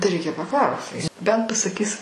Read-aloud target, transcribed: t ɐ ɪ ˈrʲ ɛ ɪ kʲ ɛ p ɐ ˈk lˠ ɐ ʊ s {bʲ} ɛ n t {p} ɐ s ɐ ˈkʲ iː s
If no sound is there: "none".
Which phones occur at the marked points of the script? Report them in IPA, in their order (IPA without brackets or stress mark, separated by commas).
bʲ, p